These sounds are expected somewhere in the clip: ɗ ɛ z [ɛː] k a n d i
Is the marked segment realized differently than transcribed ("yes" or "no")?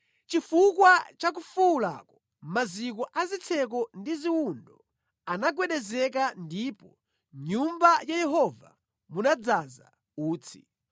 yes